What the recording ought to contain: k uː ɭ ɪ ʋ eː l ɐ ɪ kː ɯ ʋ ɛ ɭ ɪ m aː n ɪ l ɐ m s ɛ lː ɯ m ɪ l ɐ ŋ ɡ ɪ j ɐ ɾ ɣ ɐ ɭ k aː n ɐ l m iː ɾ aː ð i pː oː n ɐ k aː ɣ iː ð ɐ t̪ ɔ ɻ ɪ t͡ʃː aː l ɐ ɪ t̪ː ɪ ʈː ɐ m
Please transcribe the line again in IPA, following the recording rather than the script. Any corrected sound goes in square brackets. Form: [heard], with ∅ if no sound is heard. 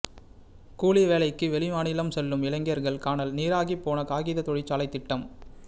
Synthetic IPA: k uː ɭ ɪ ʋ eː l ɐ ɪ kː ɯ ʋ ɛ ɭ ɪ m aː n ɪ l ɐ m s ɛ lː ɯ m ɪ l ɐ ŋ ɡ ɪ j ɐ ɾ ɣ ɐ ɭ k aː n ɐ l [n] iː ɾ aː [ɣ] i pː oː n ɐ k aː ɣ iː ð ɐ t̪ ɔ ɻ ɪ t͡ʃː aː l ɐ ɪ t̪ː ɪ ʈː ɐ m

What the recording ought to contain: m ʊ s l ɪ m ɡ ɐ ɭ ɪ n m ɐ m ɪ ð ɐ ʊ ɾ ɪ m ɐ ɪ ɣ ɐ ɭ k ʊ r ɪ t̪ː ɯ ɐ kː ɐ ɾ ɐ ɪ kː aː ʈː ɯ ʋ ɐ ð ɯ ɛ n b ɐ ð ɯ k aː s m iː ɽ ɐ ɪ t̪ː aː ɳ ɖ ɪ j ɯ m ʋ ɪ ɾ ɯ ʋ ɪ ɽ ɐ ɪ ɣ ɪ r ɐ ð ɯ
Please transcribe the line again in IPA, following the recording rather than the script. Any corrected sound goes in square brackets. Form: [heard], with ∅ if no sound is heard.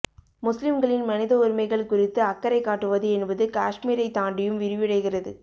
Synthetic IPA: m ʊ s l ɪ m ɡ ɐ ɭ ɪ n m ɐ [n] ɪ ð ɐ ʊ ɾ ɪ m ɐ ɪ ɣ ɐ ɭ k ʊ r ɪ t̪ː ɯ ɐ kː ɐ ɾ ɐ ɪ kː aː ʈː ɯ ʋ ɐ ð ɯ ɛ n b ɐ ð ɯ k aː [ʂ] m iː [ɾ] ɐ ɪ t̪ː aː ɳ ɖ ɪ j ɯ m ʋ ɪ ɾ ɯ ʋ ɪ ɽ ɐ ɪ ɣ ɪ r ɐ ð ɯ

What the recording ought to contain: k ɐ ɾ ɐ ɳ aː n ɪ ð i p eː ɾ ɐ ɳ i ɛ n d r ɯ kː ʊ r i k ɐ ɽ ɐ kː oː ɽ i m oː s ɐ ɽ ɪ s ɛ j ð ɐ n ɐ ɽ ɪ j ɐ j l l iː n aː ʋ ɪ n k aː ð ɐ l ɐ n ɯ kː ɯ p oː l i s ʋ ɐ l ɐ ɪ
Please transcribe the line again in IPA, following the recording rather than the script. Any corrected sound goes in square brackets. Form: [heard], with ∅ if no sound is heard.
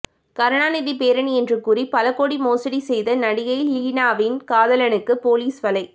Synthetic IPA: k ɐ ɾ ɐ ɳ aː n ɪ ð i p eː ɾ ɐ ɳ i ɛ n d r ɯ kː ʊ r i [p] ɐ [l] ɐ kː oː ɽ i m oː s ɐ ɽ [i] s ɛ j ð ɐ n ɐ ɽ ɪ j ɐ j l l iː n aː ʋ ɪ n k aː ð ɐ l ɐ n ɯ kː ɯ p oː l [iː] s ʋ ɐ l ɐ ɪ

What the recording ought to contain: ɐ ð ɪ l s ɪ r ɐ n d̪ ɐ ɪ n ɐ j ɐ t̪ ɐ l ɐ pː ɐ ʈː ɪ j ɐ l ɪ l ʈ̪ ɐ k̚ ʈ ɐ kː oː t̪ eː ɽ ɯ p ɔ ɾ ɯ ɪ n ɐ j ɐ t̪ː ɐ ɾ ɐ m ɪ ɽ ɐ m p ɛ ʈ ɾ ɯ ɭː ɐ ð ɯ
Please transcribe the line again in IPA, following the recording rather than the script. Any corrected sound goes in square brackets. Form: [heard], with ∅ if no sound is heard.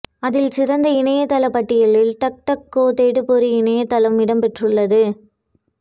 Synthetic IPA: ɐ ð ɪ l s ɪ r ɐ n d̪ ɐ ɪ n ɐ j ɐ t̪ ɐ l ɐ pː ɐ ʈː ɪ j ɐ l ɪ l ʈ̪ ɐ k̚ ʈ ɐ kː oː t̪ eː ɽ ɯ p ɔ ɾ ɯ ɪ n ɐ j ɐ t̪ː ɐ [l] ɐ m ɪ ɽ ɐ m p ɛ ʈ [r] ɯ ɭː ɐ ð ɯ

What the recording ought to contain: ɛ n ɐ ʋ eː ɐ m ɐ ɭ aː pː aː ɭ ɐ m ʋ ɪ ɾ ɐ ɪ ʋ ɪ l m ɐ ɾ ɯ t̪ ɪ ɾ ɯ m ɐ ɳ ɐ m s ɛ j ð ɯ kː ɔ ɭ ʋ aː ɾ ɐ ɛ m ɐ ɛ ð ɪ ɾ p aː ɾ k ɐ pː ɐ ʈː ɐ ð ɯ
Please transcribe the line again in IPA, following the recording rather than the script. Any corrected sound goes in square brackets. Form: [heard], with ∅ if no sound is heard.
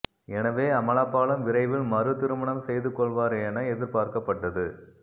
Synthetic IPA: ɛ n ɐ ʋ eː ɐ m ɐ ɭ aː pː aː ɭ ɐ m ʋ ɪ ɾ ɐ ɪ ʋ ɪ l m ɐ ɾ ɯ t̪ ɪ ɾ ɯ m ɐ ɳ ɐ m s ɛ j ð ɯ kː ɔ ɭ ʋ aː ɾ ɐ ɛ [n] ɐ ɛ ð ɪ ɾ p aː ɾ k ɐ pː ɐ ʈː ɐ ð ɯ

